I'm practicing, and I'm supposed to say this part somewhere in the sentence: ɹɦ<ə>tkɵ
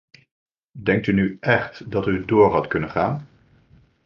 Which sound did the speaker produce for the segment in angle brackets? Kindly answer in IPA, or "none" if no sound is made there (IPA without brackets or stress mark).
ɑ